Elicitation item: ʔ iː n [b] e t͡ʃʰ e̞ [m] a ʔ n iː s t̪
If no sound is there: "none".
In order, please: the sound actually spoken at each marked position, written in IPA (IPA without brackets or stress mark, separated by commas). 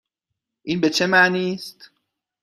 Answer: b, m